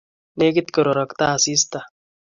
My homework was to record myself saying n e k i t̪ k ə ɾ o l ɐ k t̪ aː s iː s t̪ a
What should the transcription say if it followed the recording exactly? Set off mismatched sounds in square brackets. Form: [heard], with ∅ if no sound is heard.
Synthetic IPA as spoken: n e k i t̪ k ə ɾ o [ɾ] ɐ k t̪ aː s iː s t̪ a